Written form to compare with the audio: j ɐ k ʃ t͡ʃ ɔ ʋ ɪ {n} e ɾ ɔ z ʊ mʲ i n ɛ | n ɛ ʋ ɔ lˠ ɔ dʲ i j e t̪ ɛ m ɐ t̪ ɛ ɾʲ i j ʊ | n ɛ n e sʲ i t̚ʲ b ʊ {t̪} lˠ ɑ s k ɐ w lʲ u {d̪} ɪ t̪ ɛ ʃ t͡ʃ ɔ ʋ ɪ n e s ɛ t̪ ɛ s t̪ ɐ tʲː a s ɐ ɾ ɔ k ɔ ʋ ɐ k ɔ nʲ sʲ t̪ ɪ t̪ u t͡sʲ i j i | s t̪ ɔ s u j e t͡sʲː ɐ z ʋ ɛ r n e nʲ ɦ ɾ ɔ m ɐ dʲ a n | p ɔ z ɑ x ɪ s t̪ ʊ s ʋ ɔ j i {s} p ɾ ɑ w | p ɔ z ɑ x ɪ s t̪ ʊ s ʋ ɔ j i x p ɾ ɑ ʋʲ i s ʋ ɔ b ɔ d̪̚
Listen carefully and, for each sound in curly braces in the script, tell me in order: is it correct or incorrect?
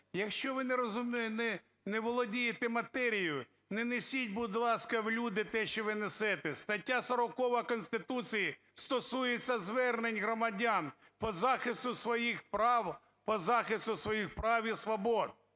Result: correct, incorrect: d̪, correct, incorrect: x

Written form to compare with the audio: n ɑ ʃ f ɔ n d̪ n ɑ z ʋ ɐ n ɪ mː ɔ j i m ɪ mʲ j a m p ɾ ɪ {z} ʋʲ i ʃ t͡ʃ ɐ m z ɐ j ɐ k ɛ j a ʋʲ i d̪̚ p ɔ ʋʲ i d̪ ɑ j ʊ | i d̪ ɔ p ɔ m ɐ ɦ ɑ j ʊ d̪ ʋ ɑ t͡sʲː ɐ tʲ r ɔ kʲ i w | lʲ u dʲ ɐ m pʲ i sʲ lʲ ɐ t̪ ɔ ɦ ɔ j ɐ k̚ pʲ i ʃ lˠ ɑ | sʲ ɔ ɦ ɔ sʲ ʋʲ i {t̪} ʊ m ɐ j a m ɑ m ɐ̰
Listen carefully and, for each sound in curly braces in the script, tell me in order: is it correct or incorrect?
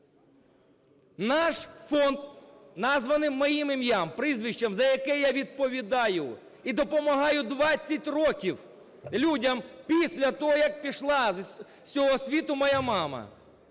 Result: correct, correct

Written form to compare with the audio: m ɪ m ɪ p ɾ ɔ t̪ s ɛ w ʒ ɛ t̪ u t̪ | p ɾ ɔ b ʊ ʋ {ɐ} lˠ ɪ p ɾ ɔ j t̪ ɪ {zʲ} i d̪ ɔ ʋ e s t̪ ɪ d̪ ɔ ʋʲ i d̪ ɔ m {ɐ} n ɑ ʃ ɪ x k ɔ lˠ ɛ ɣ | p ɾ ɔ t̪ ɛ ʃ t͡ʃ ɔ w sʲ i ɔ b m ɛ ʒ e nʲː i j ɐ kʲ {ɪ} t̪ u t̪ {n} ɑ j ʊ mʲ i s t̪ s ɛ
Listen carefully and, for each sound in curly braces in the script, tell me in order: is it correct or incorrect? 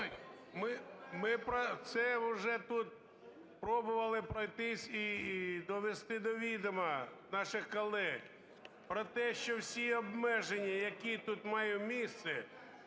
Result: correct, incorrect: sʲ, correct, incorrect: i, incorrect: m

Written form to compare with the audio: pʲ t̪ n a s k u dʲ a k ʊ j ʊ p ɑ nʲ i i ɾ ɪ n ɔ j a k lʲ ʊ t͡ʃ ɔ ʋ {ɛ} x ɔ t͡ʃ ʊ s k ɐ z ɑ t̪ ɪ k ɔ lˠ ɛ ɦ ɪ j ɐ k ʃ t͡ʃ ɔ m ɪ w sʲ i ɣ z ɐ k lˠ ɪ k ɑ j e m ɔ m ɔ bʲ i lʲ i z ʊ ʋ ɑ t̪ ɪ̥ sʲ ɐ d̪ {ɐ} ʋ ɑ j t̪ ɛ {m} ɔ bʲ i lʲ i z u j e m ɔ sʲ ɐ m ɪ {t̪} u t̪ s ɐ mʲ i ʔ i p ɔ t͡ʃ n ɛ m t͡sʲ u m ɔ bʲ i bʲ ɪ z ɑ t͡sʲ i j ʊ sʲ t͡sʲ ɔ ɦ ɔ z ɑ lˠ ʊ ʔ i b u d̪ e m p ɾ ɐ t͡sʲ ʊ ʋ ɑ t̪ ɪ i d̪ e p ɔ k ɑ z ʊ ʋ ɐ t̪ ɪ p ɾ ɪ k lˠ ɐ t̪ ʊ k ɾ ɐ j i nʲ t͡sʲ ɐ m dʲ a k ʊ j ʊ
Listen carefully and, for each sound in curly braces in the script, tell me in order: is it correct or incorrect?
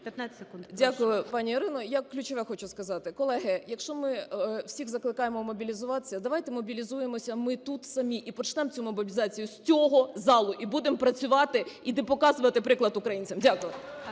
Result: correct, correct, correct, correct

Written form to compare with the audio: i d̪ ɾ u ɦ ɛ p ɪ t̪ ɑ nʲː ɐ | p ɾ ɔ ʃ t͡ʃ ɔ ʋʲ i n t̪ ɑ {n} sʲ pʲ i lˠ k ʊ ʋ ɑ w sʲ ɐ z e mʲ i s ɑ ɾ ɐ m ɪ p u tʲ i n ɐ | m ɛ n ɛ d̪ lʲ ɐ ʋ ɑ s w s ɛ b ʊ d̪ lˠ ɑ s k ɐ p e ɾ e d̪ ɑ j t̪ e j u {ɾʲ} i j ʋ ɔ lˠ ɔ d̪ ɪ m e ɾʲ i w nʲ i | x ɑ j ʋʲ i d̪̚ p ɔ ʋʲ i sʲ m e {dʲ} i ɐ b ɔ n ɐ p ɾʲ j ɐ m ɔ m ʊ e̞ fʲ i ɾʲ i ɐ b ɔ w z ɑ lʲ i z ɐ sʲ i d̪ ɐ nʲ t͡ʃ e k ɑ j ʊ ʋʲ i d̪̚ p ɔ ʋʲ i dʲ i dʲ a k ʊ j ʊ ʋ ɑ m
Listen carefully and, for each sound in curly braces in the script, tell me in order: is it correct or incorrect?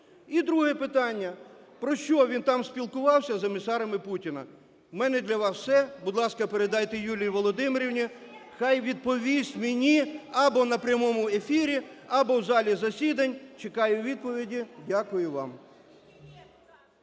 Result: incorrect: m, incorrect: lʲ, incorrect: nʲ

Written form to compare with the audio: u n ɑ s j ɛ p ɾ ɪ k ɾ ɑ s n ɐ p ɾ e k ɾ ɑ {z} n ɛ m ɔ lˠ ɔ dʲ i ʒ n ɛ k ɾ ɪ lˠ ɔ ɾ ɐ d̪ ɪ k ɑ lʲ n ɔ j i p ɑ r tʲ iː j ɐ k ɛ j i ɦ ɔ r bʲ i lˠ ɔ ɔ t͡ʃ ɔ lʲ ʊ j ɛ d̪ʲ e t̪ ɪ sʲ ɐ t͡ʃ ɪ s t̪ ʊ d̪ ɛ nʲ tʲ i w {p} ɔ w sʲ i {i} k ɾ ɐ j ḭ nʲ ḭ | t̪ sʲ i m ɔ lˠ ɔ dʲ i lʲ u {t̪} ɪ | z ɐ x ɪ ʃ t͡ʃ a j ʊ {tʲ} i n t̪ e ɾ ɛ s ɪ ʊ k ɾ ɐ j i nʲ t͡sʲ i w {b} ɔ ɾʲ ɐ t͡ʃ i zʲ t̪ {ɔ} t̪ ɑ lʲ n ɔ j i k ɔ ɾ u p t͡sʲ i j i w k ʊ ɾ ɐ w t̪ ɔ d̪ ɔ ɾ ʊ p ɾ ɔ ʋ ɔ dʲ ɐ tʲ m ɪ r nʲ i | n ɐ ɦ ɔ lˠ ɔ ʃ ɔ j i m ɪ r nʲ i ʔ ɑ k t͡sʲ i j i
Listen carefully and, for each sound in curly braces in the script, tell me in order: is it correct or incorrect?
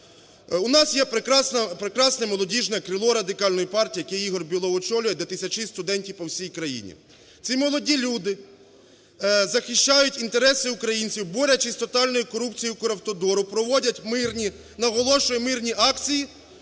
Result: incorrect: s, correct, incorrect: j, incorrect: d̪, correct, correct, correct

